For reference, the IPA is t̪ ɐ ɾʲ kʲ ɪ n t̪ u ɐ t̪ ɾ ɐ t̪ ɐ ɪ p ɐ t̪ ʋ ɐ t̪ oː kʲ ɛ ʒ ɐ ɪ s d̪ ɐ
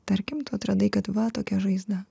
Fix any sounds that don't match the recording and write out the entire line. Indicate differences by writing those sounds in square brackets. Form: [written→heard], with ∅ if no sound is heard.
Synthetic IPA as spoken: t̪ ɐ ɾʲ kʲ ɪ [n→m] t̪ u ɐ t̪ ɾ ɐ [t̪→d̪] ɐ ɪ [p→k] ɐ t̪ ʋ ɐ t̪ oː kʲ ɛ ʒ ɐ ɪ [s→z] d̪ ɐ